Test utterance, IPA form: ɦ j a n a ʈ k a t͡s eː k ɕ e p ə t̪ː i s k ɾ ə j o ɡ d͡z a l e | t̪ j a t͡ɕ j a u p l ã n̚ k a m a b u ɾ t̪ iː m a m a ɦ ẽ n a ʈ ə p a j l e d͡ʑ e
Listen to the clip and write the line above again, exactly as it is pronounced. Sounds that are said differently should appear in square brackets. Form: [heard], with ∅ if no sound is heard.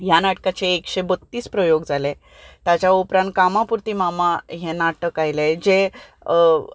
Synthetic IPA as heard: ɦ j a n a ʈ k a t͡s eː k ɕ e [b] ə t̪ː [iː] s [p] ɾ ə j o ɡ d͡z a l e | t̪ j a t͡ɕ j a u p [ɾ] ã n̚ k a m a [p] u ɾ t̪ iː m a m a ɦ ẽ n a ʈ ə [k] a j l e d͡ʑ e